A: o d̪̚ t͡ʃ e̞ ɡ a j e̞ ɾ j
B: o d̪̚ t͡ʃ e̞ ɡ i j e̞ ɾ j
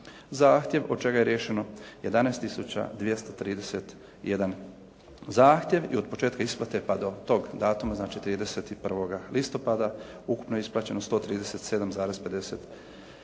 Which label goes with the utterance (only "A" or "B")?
A